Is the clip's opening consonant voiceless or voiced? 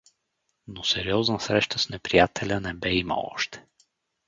voiced